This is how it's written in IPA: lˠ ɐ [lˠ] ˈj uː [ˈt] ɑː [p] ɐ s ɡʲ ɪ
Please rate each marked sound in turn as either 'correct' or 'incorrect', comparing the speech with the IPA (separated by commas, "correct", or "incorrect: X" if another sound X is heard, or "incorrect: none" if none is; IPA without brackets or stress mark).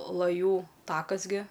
incorrect: none, correct, incorrect: k